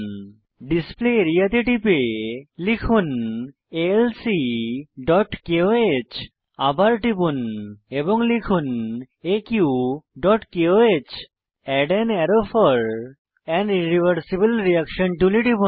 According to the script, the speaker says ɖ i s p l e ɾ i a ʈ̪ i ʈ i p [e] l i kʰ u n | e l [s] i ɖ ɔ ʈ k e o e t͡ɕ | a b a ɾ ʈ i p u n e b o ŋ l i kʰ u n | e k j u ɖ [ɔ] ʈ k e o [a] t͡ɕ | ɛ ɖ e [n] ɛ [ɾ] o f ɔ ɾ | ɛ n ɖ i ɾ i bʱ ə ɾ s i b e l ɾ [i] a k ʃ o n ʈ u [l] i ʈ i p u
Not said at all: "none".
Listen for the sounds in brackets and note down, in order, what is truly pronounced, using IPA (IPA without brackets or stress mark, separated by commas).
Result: e, s, ɔ, e, n, ɾ, i, l